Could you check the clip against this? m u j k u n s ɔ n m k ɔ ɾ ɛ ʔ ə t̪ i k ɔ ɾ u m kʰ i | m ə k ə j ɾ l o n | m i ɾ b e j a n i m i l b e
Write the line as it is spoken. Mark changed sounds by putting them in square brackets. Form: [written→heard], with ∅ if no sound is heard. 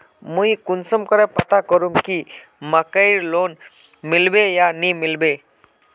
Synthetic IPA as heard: m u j k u n s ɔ [n→∅] m k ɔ ɾ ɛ [ʔ→p] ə t̪ [i→a] k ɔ ɾ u m [kʰ→k] i | m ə k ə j ɾ l o n | m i [ɾ→l] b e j a n i m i l b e